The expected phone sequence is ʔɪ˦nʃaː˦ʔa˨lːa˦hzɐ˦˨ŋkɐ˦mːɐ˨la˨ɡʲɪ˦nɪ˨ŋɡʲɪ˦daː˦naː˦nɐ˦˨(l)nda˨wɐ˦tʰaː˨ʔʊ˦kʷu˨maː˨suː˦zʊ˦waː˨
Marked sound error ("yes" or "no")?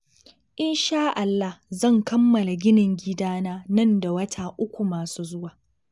yes